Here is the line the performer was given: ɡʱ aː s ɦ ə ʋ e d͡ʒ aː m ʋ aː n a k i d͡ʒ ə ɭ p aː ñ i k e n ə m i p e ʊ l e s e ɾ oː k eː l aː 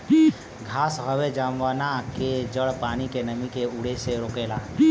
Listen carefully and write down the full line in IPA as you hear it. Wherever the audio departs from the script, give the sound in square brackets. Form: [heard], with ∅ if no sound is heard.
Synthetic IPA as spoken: ɡʱ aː s ɦ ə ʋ e d͡ʒ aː m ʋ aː n a k [e] d͡ʒ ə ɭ p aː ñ i k e n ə m i [k] e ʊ [ɽ] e s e ɾ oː k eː l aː